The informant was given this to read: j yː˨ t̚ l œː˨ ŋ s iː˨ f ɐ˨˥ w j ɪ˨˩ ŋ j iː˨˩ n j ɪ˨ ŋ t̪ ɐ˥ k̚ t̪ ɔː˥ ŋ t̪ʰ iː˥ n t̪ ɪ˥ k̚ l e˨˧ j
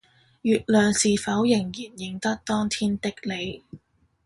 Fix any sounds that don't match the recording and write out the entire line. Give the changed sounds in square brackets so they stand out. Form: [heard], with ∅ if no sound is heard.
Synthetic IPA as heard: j yː˨ t̚ l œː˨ ŋ s iː˨ f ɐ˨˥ w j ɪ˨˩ ŋ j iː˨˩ n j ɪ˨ ŋ t̪ ɐ˥ k̚ t̪ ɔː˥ ŋ t̪ʰ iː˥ n t̪ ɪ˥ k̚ l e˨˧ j

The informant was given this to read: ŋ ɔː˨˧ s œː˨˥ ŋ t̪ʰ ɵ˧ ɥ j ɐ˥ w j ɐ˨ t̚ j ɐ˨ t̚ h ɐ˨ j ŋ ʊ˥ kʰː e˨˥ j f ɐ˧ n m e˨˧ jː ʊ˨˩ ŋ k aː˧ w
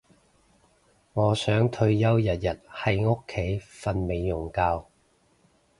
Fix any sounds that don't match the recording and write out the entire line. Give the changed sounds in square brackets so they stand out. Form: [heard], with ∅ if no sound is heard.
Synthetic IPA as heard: ŋ ɔː˨˧ s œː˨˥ ŋ t̪ʰ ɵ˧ ɥ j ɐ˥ w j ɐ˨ t̚ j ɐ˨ t̚ h ɐ˨ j ŋ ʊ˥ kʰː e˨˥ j f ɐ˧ n m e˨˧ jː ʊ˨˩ ŋ k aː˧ w

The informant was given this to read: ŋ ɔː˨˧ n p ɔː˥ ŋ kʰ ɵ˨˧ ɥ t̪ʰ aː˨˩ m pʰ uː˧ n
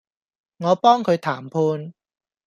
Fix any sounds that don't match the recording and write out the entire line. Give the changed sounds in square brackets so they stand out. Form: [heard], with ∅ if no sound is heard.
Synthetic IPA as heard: ŋ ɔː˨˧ [∅] p ɔː˥ ŋ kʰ ɵ˨˧ ɥ t̪ʰ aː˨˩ m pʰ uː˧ n

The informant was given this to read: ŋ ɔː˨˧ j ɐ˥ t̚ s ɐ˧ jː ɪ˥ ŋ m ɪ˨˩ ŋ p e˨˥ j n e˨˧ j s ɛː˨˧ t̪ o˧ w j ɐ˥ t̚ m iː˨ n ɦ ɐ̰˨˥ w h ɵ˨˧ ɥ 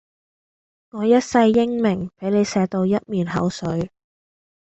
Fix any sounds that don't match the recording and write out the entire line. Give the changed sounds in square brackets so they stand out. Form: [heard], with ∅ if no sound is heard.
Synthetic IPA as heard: ŋ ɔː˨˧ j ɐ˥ t̚ s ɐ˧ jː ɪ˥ ŋ m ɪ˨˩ ŋ p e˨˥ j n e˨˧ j s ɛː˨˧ t̪ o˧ w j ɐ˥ t̚ m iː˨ n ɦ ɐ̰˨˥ w [s] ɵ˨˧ ɥ

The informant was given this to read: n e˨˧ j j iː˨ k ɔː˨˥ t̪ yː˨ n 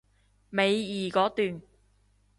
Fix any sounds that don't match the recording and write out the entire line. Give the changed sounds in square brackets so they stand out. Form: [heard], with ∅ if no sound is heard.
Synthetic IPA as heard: [m] e˨˧ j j iː˨ k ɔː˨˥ t̪ yː˨ n

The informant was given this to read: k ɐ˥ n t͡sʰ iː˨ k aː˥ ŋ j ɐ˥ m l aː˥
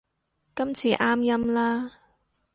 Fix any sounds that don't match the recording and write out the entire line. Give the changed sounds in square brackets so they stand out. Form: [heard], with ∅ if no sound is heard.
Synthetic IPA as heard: k ɐ˥ [m] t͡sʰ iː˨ [ʔ] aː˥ [m] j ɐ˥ m l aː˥

